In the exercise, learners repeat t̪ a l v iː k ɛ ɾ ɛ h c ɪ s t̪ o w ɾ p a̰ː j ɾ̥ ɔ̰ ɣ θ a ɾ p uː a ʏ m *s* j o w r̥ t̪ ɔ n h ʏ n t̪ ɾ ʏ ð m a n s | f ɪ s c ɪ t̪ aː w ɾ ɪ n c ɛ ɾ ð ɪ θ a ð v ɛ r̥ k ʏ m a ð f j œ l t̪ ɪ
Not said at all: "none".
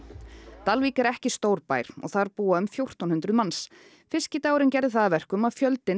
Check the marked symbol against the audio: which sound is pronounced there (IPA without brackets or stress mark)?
f